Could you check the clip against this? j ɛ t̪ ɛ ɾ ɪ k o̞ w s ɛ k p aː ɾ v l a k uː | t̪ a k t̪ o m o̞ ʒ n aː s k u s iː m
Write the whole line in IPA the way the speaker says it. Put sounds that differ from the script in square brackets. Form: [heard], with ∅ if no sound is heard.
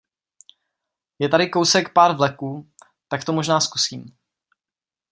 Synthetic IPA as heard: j ɛ t̪ [a] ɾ ɪ k o̞ w s ɛ k p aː ɾ v l [ɛ] k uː | t̪ a k t̪ o m o̞ ʒ n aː s k u s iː m